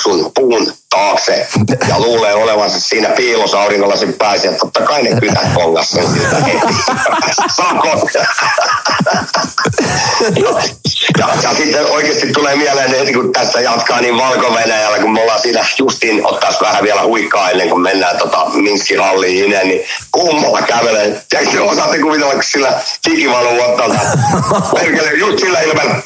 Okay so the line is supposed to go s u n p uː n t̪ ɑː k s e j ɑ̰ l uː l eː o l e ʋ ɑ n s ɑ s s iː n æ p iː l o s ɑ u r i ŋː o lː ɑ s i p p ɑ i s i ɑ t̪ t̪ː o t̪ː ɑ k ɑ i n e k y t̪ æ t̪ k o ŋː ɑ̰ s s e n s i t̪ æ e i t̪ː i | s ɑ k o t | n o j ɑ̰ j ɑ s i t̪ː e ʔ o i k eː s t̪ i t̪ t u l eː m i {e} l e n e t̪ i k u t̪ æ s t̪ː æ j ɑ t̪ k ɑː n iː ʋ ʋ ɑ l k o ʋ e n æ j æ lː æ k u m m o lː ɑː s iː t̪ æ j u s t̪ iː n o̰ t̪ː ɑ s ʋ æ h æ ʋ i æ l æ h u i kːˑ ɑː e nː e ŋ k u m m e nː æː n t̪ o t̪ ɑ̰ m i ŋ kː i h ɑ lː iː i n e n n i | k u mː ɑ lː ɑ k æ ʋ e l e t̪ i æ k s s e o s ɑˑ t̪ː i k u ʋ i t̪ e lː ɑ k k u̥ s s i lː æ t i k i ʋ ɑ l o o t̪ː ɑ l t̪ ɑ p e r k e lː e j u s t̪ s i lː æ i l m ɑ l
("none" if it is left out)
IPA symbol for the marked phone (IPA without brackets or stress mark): æ